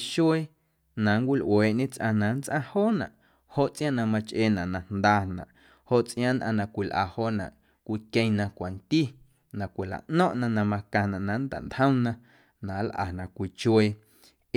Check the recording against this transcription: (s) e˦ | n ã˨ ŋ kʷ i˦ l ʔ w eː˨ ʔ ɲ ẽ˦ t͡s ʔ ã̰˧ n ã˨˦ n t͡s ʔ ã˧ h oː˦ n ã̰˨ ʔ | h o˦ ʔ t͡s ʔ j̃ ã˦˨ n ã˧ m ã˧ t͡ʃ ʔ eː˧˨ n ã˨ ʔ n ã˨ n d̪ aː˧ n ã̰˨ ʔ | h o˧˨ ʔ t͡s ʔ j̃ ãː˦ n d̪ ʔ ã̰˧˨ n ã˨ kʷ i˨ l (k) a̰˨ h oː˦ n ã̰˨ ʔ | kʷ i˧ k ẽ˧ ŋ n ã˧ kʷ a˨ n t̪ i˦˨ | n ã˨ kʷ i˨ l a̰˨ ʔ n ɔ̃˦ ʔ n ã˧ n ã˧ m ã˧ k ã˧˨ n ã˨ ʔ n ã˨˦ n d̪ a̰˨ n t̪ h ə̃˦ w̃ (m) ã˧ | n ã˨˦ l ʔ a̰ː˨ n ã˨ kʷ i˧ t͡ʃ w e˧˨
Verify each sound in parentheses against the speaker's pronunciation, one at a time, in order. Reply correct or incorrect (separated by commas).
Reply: incorrect, incorrect, incorrect